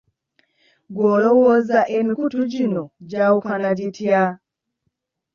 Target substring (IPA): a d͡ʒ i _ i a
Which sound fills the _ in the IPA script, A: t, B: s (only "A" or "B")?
A